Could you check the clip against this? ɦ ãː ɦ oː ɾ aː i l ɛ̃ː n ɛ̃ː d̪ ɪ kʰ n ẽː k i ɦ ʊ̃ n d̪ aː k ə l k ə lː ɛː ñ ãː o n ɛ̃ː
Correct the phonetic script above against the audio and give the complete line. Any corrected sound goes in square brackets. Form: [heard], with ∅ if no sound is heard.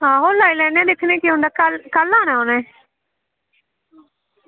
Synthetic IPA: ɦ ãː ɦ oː [l] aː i l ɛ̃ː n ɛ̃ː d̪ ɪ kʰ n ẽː k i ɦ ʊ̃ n d̪ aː k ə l k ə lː [aː] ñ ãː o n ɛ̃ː